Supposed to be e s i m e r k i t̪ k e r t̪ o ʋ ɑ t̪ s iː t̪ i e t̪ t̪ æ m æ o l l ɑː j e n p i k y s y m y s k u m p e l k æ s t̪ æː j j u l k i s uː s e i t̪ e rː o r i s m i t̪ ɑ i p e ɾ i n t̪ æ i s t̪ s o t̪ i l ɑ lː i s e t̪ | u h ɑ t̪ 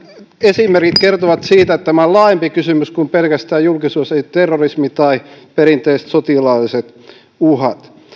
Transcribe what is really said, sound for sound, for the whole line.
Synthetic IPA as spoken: e s i m e r k i t̪ k e r t̪ o ʋ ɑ t̪ s iː t̪ æ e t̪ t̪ æ m æ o l l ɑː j e m p i k y s y m y s k u m p e l k æ s t̪ æː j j u l k i s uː s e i t̪ e rː o r i s m i t̪ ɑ i p e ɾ i n t̪ e i s t̪ s o t̪ i l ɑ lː i s e t̪ | u h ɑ t̪